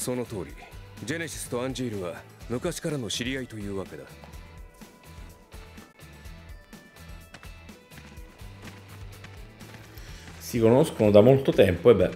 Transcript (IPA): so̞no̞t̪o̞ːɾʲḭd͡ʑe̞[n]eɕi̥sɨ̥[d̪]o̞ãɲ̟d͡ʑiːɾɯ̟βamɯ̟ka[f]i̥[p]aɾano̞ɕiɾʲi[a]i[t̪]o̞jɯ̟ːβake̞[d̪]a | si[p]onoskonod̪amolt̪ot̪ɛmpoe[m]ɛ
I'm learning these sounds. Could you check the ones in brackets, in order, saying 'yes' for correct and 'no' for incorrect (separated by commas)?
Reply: yes, no, no, no, yes, yes, yes, no, no